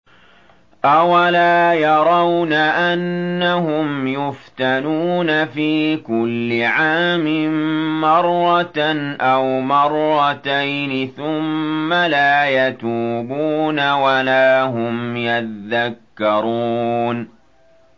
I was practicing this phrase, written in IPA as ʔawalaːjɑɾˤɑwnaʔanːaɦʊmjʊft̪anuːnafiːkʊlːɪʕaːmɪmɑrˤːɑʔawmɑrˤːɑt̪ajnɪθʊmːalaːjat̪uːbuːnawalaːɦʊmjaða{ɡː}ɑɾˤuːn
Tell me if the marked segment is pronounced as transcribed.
no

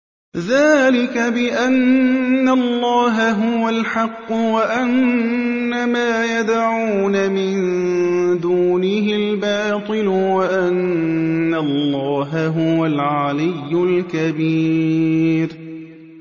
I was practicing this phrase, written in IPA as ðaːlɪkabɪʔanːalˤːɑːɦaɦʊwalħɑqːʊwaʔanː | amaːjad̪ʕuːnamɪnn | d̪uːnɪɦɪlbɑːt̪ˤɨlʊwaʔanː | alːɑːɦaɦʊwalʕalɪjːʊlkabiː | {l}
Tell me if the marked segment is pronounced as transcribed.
no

